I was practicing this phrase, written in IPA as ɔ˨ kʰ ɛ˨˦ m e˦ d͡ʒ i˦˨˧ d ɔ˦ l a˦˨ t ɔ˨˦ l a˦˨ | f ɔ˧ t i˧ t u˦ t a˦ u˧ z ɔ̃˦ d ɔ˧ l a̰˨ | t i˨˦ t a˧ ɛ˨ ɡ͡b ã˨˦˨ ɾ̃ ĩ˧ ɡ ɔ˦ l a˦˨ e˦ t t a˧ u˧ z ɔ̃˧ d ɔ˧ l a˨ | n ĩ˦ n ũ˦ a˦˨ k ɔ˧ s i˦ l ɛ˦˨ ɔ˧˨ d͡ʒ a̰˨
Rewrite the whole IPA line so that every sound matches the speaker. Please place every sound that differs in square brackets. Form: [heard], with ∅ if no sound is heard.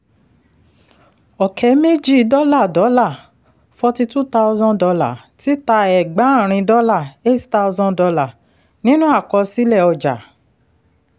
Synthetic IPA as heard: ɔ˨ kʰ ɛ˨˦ m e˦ d͡ʒ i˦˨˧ d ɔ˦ l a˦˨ [d] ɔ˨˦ l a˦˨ | f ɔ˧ t i˧ t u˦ t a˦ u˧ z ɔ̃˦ d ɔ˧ l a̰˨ | t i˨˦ t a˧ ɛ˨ ɡ͡b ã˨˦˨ ɾ̃ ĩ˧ [d] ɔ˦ l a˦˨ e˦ t t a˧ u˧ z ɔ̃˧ d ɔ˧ l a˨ | n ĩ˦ n ũ˦ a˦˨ k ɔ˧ s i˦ l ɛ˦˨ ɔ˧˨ d͡ʒ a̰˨